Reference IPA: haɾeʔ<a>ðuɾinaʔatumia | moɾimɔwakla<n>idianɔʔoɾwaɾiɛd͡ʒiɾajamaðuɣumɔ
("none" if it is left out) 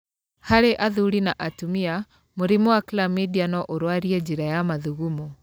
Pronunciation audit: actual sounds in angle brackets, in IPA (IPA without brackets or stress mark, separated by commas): a, m